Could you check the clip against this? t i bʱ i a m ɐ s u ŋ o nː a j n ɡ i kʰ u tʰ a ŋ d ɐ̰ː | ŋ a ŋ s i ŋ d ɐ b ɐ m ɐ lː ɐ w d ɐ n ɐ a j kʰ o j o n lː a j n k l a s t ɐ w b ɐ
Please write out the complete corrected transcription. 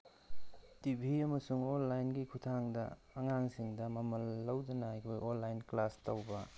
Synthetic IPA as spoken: t i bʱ i ɐ m ɐ s u ŋ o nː a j n ɡ i kʰ u tʰ a ŋ d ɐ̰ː | ŋ a ŋ s i ŋ d ɐ m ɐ m ɐ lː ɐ w d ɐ n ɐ a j kʰ o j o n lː a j n k l a s t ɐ w b ɐ